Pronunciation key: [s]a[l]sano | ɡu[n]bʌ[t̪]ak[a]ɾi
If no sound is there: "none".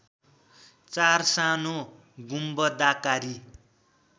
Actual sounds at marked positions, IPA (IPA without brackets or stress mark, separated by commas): t͡s, r, m, d̪, a